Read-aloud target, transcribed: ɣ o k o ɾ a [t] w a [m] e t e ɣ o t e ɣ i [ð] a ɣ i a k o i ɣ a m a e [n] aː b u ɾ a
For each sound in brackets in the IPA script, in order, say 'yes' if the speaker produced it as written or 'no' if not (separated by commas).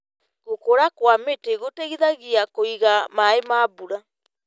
no, yes, yes, no